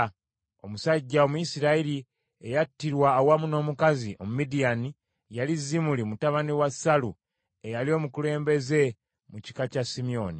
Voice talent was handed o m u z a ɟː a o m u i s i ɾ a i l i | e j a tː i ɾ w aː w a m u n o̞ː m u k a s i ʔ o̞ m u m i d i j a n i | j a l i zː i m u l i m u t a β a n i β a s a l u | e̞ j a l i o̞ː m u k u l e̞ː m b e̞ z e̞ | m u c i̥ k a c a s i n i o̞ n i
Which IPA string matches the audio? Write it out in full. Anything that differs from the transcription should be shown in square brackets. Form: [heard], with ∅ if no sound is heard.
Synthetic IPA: o m u [s] a ɟː a o m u i s i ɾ a i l i | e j a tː i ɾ w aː w a m u n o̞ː m u k a [z] i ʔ o̞ m u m i d i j a n i | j a l i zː i m u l i m u t a β a n i [w] a s a l u | e̞ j a l i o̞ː m u k u l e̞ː m b e̞ z e̞ | m u c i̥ k a c a s i [m] i o̞ n i